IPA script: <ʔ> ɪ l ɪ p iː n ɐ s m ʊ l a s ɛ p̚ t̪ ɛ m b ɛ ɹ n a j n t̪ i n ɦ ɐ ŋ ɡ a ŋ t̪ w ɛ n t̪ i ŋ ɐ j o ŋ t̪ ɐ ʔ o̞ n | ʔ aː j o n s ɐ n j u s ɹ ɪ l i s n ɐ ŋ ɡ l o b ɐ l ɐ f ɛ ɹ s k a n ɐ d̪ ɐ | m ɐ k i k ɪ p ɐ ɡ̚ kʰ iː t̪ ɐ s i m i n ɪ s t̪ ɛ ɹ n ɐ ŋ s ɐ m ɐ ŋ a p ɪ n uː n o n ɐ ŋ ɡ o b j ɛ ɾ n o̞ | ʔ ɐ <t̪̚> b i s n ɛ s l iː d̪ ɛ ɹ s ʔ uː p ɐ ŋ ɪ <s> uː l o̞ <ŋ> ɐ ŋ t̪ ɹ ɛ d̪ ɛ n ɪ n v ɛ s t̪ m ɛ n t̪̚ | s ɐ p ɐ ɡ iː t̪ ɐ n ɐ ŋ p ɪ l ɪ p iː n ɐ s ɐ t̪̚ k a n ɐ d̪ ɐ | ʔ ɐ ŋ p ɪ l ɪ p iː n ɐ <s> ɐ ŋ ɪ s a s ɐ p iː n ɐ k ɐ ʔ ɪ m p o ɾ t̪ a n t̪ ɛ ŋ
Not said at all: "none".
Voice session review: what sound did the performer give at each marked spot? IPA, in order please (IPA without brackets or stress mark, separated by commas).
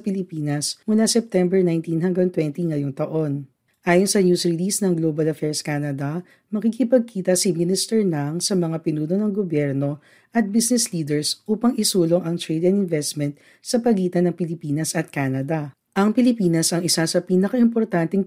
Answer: p, t̪̚, s, ŋ, s